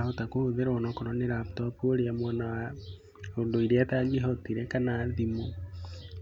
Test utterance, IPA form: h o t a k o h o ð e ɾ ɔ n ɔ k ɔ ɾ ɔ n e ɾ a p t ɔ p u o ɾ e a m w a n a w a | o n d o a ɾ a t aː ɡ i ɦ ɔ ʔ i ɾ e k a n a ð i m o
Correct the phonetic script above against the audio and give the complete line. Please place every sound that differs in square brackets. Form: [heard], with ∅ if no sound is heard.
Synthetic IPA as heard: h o t a k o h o ð e ɾ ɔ n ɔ k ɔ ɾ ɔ n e ɾ a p t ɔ p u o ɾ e a m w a n a w a | o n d o [i] ɾ a t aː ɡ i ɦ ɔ [t] i ɾ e k a n a ð i m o